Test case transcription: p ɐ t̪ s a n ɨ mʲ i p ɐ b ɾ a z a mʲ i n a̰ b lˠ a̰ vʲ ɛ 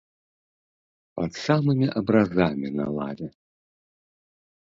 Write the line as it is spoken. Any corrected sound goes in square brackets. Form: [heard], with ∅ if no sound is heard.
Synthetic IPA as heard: p ɐ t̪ s a [m] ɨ mʲ i [ʔ] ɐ b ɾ a z a mʲ i n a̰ [∅] lˠ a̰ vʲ ɛ